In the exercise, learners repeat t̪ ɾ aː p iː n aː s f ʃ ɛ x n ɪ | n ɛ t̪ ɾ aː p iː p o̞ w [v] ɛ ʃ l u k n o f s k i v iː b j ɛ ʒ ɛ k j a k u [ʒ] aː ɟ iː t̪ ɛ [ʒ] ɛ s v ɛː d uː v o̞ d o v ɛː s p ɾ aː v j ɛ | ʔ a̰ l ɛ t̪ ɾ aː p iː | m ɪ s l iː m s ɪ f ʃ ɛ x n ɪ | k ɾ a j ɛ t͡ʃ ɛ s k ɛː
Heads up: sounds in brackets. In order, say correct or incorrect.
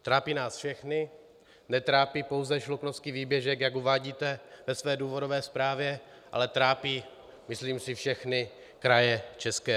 incorrect: z, incorrect: v, incorrect: v

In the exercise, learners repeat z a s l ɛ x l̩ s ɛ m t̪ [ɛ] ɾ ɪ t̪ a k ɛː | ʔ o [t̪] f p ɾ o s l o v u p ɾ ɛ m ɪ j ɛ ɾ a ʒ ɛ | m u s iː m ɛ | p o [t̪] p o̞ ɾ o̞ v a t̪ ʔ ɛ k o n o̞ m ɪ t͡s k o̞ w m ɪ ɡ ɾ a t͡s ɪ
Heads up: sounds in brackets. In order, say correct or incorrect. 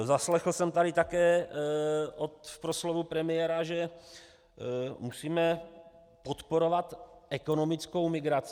incorrect: a, correct, correct

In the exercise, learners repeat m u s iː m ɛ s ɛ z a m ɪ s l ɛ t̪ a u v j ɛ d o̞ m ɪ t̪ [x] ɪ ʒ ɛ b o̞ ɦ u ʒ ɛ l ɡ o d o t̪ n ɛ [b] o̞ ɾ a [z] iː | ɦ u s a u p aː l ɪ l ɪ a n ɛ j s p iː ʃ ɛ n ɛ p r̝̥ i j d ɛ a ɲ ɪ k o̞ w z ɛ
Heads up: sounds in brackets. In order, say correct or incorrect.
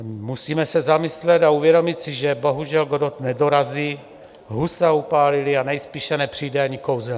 incorrect: s, incorrect: d, correct

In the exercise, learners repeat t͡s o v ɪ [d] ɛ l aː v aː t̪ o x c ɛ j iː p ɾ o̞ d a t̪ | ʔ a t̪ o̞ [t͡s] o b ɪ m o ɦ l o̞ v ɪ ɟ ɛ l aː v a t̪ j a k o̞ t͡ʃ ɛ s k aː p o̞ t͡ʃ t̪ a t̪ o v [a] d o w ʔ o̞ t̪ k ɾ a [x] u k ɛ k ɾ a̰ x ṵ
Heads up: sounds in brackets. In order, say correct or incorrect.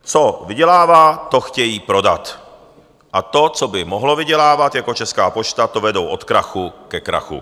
incorrect: ɟ, correct, incorrect: ɛ, correct

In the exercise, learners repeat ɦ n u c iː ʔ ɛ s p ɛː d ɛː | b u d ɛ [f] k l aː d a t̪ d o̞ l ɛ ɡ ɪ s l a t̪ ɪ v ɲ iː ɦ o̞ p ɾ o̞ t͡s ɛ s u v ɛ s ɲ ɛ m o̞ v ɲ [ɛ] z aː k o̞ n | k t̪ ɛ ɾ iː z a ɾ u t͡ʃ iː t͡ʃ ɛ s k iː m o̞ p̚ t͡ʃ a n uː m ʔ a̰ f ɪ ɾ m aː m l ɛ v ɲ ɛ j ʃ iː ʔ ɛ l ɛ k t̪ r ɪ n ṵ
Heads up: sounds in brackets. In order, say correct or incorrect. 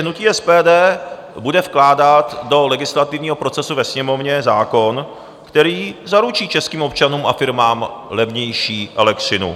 correct, correct

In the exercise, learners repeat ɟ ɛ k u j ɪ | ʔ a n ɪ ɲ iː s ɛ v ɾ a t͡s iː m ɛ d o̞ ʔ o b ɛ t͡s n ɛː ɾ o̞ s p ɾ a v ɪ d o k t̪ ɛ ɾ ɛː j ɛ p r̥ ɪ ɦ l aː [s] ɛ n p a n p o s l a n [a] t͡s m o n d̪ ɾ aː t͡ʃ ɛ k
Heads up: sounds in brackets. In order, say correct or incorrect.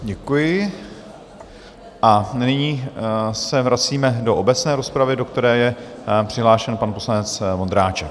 incorrect: ʃ, incorrect: ɛ

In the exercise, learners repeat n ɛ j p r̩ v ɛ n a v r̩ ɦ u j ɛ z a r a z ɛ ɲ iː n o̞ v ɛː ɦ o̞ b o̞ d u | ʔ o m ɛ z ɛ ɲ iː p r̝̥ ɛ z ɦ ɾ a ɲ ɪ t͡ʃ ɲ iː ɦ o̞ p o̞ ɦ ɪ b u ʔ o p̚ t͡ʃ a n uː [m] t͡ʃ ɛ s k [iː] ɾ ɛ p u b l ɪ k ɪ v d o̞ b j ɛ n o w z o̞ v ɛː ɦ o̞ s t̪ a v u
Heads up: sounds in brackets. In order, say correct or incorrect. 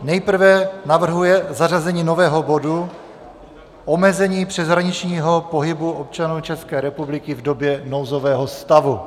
incorrect: none, incorrect: ɛː

